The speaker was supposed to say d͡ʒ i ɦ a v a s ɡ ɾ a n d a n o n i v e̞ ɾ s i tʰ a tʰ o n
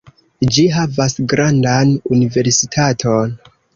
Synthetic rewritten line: d͡ʒ i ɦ a v a s ɡ ɾ a n d a n u n i v e̞ ɾ s i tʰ a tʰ o n